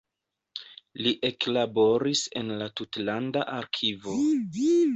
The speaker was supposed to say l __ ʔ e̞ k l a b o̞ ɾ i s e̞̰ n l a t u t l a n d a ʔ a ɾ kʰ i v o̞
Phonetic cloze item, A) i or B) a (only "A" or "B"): A